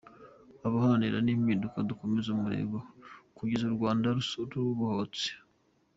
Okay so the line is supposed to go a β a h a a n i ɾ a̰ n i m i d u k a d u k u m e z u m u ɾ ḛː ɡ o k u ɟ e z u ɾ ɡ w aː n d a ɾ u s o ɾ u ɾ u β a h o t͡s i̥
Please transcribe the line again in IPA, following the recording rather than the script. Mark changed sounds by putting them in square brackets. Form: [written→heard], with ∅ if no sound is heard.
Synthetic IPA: a β a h a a n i ɾ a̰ n i m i d u k a d u k [u→o] m e z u m u ɾ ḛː ɡ o k u ɟ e z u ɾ ɡ w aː n d a ɾ u s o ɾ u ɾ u β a h o t͡s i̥